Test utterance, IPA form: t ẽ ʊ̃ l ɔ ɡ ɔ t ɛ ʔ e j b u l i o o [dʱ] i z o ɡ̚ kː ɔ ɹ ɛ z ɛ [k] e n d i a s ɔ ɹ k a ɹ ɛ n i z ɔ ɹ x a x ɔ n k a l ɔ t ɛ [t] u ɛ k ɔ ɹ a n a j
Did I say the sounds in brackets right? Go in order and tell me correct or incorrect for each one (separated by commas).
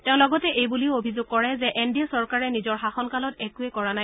incorrect, incorrect, incorrect